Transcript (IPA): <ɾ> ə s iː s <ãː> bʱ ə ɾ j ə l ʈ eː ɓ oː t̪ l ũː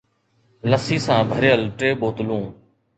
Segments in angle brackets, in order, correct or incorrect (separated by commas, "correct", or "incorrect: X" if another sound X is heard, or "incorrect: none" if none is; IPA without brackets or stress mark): incorrect: l, correct